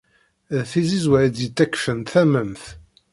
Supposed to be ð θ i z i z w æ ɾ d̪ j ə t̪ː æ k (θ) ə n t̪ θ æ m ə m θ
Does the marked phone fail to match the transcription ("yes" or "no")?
yes